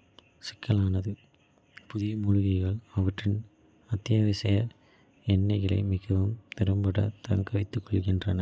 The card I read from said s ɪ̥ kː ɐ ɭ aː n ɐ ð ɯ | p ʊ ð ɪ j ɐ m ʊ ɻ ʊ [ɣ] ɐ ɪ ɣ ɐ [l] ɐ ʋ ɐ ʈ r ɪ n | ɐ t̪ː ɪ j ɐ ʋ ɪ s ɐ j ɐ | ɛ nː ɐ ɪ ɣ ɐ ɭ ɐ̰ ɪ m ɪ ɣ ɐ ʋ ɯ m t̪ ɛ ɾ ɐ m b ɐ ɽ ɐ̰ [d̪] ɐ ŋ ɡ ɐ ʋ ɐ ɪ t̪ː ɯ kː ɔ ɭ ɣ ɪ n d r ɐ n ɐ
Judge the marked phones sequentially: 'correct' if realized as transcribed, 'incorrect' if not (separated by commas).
correct, incorrect, incorrect